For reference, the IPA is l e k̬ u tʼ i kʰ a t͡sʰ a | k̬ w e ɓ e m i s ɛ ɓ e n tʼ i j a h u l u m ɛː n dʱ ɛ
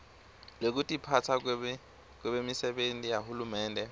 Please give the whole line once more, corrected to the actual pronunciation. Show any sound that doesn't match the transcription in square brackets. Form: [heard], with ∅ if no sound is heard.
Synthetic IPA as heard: l e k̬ u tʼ i [pʰ] a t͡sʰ a | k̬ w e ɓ e m i s ɛ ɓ e n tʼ i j a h u l u m ɛː n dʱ ɛ